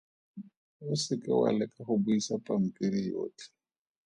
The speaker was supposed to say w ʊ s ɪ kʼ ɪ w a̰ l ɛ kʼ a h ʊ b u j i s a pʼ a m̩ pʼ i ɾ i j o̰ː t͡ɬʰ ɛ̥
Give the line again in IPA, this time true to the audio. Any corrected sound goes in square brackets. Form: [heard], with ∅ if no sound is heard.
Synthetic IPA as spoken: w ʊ s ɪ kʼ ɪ w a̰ l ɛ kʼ a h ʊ b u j i s a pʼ a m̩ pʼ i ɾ i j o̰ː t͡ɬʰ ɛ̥